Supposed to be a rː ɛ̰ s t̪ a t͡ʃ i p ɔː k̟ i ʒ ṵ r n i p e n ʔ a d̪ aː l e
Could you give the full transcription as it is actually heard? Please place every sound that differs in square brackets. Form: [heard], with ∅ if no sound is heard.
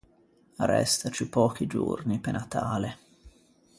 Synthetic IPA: a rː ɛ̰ s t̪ a t͡ʃ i p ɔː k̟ i [d͡ʒ] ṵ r n i p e n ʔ a [t̪] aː l e